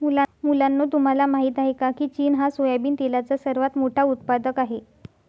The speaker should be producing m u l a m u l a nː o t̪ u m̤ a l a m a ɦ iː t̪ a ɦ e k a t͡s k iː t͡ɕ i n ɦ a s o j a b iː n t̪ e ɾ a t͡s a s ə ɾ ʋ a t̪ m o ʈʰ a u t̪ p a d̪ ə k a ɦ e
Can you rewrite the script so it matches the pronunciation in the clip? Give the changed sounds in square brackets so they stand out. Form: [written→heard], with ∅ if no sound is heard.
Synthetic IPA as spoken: m u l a m u l a nː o t̪ u m̤ a l a m a ɦ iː t̪ a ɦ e k a [t͡s→∅] k iː t͡ɕ [i→iː] n ɦ a s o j a b iː n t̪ e [ɾ→l] a t͡s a s ə ɾ ʋ a t̪ m o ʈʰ a u t̪ p a d̪ ə k a ɦ e